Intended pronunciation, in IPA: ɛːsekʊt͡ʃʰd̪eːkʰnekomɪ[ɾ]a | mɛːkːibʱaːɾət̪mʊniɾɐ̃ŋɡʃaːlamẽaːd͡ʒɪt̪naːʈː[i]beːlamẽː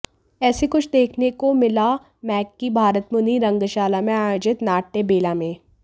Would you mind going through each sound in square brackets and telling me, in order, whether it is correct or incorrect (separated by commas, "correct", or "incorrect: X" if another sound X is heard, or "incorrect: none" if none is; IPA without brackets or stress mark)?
incorrect: l, incorrect: e